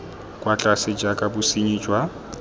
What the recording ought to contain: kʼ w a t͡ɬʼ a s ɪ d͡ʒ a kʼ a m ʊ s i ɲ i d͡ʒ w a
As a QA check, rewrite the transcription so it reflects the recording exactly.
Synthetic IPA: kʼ w a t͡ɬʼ a s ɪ d͡ʒ a kʼ a b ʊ s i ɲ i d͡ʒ w a

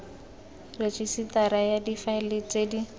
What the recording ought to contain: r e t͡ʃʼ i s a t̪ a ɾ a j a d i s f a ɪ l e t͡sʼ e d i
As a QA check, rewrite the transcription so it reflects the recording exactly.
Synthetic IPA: r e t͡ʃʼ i s i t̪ a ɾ a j a d i f a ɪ l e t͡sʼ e d i

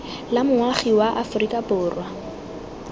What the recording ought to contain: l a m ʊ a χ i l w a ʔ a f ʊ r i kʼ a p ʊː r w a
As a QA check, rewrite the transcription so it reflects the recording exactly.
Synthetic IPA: l a m ʊ a χ i w a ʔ a f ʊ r i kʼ a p ʊː r w a

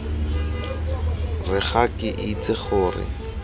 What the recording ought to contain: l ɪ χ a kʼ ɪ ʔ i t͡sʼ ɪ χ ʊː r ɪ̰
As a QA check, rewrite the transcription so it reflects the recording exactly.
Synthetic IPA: r ɪ χ a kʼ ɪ ʔ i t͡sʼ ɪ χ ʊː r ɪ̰

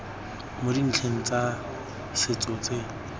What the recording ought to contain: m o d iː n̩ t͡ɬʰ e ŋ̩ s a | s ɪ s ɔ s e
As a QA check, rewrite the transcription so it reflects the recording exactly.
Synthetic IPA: m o d i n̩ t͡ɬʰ e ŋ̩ t͡s a | s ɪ t͡s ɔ t͡s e

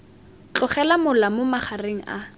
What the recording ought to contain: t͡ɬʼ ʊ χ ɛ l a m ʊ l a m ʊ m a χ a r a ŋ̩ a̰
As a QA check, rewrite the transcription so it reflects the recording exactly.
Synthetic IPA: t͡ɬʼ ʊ χ ɛ l a m ʊ l a m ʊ m a χ a r e ŋ̩ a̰

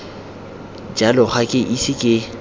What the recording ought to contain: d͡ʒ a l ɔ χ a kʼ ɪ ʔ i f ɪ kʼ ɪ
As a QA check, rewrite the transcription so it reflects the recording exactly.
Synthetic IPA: d͡ʒ a l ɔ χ a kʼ ɪ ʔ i s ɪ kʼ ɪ

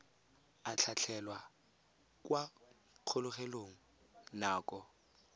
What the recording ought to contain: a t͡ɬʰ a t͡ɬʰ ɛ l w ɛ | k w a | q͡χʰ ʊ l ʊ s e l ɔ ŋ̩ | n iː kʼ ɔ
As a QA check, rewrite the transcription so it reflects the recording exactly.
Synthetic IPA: a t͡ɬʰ a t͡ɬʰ ɛ l w a | k w a | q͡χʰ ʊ l ʊ χ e l o ŋ̩ | n aː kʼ ɔ

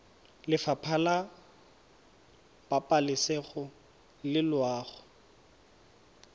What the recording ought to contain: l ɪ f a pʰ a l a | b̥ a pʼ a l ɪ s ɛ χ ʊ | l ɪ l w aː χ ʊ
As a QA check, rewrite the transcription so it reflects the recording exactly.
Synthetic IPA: l ɪ f a pʰ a l a | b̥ a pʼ a l ɪ s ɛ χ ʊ | l ɪ l w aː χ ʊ

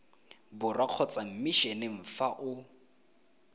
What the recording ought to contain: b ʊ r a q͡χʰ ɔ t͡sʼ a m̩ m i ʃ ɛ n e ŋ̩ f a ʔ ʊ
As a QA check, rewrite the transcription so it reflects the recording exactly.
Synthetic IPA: b ʊ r a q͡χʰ ɔ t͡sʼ a m̩ m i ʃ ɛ n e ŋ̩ f a ʔ ʊ

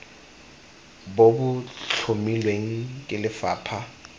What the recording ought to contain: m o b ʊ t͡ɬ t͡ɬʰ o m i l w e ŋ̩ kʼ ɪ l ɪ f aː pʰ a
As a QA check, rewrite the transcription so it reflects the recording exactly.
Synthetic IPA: b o b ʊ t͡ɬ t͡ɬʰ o m i l w e ŋ̩ kʼ ɪ l ɪ f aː pʰ a

